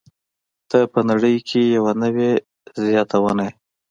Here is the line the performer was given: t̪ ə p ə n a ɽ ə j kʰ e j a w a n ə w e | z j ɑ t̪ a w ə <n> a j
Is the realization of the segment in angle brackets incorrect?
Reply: no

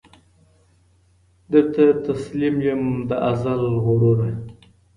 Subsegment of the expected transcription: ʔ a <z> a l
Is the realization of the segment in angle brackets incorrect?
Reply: no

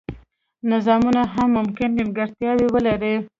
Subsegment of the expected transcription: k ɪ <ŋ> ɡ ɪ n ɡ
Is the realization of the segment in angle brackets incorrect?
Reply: yes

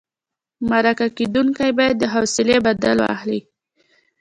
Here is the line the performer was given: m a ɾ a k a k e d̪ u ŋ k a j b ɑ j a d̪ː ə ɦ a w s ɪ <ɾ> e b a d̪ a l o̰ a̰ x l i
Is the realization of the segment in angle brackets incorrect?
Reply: yes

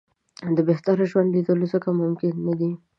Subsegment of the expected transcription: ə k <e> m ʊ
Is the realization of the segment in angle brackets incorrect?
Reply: yes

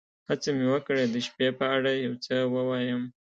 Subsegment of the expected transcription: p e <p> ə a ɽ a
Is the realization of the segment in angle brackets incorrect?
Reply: no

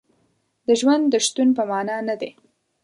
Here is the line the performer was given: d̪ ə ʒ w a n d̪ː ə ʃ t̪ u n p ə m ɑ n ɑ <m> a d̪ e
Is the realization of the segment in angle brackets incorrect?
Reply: yes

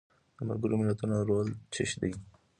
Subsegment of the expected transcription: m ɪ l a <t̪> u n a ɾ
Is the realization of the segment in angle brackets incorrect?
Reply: no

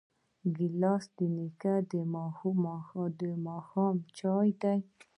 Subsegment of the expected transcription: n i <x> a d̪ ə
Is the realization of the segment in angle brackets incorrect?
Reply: yes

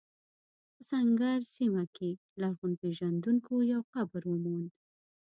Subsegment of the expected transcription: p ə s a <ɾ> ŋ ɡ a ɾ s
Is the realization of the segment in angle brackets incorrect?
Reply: yes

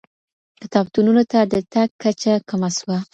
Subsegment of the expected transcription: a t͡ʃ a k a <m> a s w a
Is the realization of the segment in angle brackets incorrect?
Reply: no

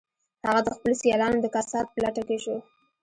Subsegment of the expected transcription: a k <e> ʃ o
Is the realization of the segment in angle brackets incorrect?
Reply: no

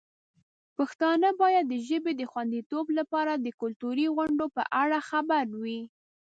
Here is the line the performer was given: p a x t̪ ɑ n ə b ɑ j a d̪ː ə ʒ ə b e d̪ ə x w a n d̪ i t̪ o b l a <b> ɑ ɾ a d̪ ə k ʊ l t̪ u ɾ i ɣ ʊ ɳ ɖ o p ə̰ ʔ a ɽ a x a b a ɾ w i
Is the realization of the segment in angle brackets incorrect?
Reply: yes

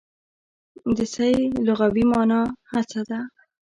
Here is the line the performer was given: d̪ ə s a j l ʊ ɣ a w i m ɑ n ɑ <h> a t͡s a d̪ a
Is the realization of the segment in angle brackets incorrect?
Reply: no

